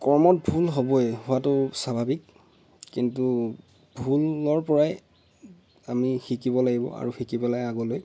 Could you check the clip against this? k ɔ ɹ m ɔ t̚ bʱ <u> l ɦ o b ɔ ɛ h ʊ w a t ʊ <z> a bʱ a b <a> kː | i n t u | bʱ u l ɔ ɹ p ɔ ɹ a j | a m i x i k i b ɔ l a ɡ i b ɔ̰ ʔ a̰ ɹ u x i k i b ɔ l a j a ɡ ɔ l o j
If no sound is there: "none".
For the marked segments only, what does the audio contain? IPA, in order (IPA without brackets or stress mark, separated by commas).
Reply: u, s, i